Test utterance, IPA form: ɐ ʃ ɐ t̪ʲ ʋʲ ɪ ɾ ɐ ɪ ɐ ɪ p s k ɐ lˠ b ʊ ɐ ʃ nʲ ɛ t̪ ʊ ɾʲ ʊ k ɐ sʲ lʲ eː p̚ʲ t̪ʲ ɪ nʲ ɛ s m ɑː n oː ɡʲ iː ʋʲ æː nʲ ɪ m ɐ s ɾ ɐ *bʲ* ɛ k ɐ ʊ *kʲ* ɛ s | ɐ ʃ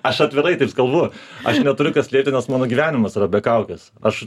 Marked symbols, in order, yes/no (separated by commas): yes, yes